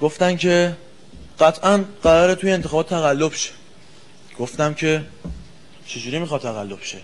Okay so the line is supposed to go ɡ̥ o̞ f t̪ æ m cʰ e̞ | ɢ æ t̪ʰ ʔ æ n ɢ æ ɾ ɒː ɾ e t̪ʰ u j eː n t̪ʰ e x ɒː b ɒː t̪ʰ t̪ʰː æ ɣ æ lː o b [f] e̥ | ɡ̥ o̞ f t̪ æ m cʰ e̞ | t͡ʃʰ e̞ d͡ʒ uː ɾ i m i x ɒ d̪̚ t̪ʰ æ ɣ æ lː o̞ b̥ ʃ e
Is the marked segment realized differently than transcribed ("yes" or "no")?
yes